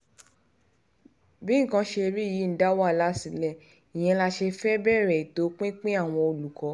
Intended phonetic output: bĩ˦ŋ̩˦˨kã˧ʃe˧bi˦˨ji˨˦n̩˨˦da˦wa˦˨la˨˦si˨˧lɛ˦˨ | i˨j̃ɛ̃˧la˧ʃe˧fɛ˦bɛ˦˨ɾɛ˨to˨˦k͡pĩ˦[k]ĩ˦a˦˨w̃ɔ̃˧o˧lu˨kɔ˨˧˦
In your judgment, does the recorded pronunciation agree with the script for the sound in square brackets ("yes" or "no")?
no